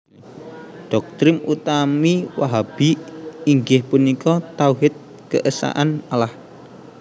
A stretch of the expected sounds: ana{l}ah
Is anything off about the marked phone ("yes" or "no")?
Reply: no